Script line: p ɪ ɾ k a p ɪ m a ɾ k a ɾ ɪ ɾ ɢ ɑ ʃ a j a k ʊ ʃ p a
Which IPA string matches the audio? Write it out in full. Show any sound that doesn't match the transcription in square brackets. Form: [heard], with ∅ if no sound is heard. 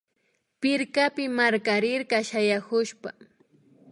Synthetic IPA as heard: p ɪ ɾ k a p ɪ m a ɾ k a ɾ ɪ ɾ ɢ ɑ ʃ a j a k ʊ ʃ p a